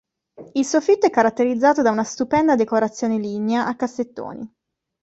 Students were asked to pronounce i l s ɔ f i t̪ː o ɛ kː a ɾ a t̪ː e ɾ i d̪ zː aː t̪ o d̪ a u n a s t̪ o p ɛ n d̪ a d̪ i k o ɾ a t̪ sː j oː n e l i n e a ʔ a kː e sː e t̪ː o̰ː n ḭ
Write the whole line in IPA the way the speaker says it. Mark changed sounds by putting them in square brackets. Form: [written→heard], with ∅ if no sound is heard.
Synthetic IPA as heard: i l s [ɔ→o] f i t̪ː o ɛ kː a ɾ a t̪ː e ɾ i d̪ zː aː t̪ o d̪ a u n a s t̪ [o→u] p ɛ n d̪ a d̪ [i→e] k o ɾ a t̪ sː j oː n e l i n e a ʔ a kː [e→a] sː e t̪ː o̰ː n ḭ